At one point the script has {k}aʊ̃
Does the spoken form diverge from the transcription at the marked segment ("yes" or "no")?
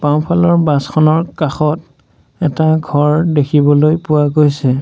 yes